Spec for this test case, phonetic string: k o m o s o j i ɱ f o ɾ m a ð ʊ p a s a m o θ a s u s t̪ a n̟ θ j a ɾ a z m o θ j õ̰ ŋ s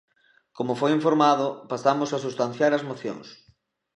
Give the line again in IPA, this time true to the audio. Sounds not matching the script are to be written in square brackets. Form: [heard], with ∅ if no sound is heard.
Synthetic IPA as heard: k o m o [f] o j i ɱ f o ɾ m a ð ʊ p a s a m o [s] a s u s t̪ a n̟ θ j a ɾ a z m o θ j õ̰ ŋ s